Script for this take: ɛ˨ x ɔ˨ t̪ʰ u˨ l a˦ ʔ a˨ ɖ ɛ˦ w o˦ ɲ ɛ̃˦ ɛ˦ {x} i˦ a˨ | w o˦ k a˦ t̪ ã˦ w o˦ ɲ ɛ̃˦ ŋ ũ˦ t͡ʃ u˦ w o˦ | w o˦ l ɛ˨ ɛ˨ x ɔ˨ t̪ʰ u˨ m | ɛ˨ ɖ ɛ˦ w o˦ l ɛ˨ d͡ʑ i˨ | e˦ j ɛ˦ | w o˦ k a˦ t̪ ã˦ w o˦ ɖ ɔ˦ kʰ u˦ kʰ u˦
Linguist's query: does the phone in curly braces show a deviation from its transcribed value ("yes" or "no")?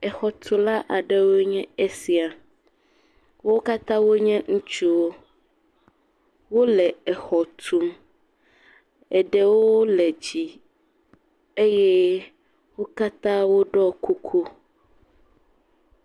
yes